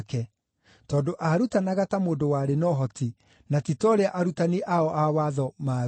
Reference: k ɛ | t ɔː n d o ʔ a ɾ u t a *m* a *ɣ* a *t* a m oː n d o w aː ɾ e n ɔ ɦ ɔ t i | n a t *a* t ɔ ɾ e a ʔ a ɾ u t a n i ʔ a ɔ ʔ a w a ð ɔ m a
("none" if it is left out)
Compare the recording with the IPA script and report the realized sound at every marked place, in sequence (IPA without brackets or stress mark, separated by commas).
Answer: n, ɣ, t, i